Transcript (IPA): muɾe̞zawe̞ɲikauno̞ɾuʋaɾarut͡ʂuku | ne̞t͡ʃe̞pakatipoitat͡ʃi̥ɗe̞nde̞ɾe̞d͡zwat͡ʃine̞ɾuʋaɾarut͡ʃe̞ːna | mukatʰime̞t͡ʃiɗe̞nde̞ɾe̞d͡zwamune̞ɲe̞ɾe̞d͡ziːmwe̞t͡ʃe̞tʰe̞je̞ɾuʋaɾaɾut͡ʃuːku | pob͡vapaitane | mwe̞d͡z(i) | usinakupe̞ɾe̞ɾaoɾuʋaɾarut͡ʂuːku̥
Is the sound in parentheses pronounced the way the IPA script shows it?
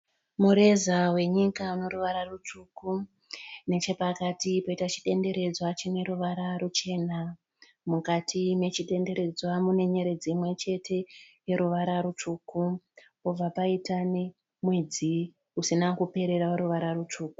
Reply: yes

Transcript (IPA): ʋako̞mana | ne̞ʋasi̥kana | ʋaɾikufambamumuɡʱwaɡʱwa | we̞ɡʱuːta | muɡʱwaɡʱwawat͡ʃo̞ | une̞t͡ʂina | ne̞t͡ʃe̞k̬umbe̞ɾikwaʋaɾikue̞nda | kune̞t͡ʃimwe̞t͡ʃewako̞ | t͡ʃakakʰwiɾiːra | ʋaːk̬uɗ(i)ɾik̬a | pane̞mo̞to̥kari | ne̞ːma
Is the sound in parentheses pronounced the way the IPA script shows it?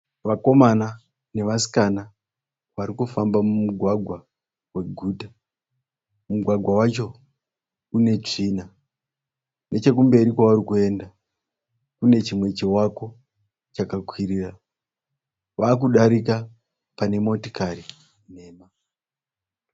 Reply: no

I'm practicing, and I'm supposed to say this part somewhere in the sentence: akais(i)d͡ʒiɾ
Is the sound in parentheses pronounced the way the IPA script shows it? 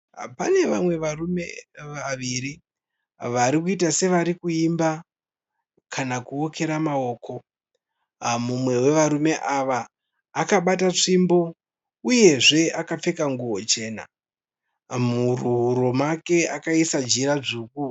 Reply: no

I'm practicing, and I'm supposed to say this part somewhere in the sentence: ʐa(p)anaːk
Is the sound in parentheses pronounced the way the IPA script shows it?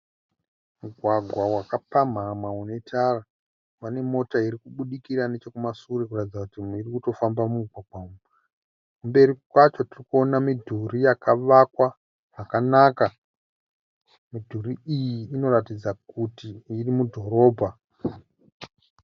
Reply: no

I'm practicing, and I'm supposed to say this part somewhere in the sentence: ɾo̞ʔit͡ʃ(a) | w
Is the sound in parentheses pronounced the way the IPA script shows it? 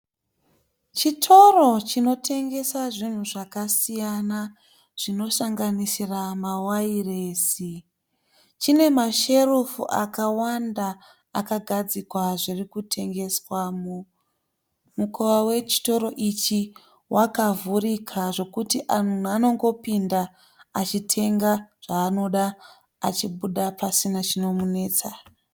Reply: no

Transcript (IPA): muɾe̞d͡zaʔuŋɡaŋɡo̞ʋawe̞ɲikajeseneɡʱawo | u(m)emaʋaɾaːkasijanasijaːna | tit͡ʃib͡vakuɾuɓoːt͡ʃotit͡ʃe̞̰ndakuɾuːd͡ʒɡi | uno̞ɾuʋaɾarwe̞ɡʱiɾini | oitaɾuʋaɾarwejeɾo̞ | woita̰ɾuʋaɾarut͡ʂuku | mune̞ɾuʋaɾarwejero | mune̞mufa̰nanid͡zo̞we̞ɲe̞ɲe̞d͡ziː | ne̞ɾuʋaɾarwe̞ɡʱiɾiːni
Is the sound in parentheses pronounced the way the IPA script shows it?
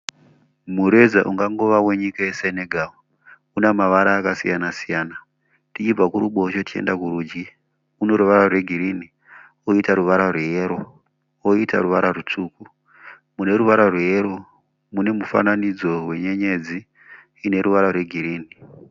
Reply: no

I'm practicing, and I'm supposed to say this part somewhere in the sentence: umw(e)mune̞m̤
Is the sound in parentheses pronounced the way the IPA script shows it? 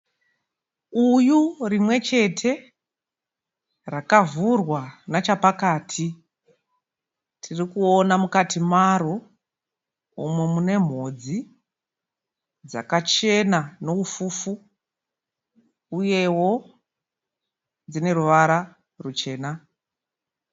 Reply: yes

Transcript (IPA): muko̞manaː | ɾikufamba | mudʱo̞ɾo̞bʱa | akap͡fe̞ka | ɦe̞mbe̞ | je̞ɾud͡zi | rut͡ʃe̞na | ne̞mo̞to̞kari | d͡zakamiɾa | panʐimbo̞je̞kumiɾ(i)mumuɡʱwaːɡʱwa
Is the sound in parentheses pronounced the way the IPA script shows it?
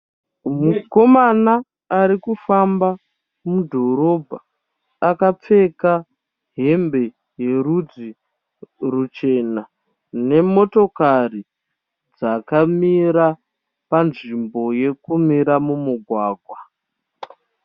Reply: no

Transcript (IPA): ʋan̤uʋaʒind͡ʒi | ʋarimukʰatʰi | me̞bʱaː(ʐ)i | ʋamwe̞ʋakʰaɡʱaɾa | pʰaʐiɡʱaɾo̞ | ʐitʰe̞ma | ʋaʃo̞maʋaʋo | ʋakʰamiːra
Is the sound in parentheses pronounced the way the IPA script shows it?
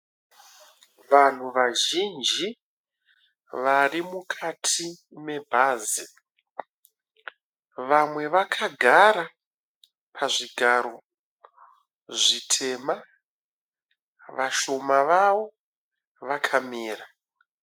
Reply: no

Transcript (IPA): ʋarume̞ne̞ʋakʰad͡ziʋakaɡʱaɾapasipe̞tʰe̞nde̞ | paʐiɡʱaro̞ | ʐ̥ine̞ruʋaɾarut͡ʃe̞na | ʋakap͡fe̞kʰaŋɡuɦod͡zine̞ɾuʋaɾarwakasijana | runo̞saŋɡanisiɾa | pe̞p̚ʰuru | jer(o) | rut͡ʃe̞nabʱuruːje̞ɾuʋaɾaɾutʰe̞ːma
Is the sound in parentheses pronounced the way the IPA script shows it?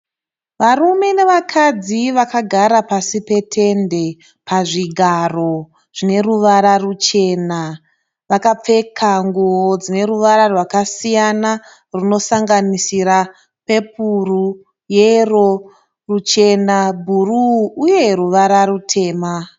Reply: yes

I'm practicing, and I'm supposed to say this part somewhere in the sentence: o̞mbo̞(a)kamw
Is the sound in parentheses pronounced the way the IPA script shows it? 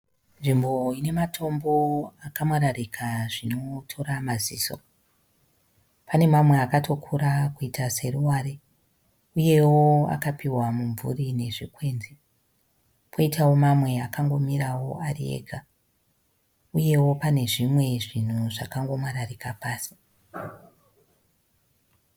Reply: yes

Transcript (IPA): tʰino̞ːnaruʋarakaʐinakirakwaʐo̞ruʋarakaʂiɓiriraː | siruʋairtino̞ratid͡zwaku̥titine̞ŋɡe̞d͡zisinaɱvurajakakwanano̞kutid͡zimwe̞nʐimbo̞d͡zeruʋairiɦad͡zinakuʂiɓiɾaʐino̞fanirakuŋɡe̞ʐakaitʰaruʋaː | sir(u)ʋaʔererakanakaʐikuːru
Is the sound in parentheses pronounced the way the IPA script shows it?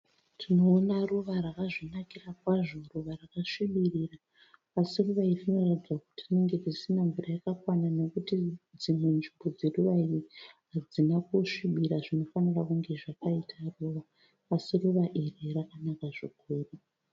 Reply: yes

